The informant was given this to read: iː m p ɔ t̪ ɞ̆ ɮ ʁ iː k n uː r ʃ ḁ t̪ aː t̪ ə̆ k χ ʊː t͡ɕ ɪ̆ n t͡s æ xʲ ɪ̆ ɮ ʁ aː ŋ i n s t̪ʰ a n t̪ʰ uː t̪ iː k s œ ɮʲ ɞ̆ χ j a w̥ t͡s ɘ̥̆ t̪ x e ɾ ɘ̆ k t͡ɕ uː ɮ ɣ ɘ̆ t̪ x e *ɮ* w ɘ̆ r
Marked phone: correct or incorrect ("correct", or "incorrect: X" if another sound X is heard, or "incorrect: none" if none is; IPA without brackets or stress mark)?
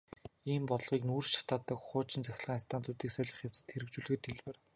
correct